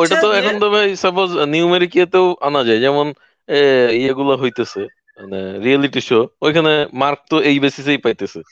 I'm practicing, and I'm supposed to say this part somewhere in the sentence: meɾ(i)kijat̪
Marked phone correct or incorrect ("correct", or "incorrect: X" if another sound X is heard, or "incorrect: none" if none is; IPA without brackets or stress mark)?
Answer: correct